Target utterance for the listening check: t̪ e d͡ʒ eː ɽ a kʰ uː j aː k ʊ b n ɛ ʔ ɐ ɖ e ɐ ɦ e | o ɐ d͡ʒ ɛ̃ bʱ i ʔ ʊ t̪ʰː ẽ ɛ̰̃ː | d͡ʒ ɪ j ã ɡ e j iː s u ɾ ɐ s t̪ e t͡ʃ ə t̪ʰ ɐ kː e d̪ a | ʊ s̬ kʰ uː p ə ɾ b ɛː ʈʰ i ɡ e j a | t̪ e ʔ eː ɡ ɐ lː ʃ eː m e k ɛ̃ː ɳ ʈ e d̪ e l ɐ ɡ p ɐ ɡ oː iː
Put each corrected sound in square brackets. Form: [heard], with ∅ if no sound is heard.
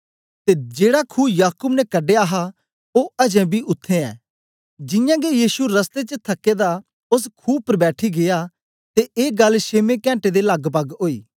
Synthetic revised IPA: t̪ e d͡ʒ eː ɽ a kʰ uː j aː k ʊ b n ɛ [k] ɐ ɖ e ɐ ɦ [a] | o ɐ d͡ʒ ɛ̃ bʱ i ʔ ʊ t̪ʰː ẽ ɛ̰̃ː | d͡ʒ ɪ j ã ɡ e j iː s u ɾ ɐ s t̪ e t͡ʃ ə t̪ʰ ɐ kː e d̪ a | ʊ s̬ kʰ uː p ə ɾ b ɛː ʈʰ i ɡ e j a | t̪ e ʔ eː ɡ ɐ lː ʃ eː m e k ɛ̃ː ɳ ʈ e d̪ e l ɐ ɡ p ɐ ɡ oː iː